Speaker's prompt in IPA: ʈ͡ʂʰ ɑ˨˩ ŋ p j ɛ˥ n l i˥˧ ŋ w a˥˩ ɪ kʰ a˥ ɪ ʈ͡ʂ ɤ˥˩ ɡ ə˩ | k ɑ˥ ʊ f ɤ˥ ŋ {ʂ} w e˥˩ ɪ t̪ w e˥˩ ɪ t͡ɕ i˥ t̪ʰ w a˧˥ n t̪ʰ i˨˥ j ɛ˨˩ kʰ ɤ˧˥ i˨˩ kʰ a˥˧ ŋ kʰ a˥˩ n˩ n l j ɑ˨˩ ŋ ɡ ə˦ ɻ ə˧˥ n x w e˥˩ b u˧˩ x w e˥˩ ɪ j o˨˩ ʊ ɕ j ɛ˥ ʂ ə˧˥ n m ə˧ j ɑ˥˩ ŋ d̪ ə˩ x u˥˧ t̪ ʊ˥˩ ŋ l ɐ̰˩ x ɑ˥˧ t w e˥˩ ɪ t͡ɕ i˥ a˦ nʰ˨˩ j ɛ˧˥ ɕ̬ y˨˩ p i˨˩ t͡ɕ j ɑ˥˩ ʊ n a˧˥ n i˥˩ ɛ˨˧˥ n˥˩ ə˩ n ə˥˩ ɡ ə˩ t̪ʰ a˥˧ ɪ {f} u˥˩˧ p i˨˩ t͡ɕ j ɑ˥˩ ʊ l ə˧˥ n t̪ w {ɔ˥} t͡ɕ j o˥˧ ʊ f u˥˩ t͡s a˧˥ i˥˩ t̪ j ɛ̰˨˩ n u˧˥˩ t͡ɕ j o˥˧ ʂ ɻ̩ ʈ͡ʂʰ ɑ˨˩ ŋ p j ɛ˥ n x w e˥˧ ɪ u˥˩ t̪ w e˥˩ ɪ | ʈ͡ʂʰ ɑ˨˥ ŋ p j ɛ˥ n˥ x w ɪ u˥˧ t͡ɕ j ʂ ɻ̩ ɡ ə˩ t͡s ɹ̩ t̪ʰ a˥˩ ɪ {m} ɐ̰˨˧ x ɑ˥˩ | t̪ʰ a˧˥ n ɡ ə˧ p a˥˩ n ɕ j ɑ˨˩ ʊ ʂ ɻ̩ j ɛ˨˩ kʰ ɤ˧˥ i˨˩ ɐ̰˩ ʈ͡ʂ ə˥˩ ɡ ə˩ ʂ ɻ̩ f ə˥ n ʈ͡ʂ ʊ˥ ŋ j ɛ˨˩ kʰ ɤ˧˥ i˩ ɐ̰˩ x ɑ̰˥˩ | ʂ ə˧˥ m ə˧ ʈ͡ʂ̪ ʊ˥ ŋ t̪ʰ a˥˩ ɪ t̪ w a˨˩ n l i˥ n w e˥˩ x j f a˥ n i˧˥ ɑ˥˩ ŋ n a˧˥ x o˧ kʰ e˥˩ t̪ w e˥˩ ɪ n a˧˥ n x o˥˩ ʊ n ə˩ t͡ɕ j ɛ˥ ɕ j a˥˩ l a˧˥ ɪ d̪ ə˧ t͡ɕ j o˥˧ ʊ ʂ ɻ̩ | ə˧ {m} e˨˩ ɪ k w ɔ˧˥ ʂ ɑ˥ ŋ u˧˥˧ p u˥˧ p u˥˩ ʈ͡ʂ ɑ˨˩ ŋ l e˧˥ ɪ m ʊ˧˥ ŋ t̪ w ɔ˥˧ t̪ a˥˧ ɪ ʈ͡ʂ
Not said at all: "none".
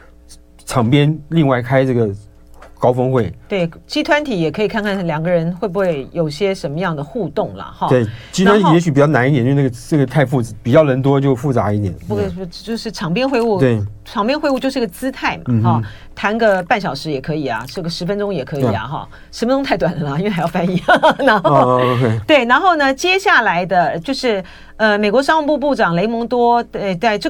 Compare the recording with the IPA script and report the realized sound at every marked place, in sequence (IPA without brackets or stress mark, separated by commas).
x, f, ɔ˥, m, m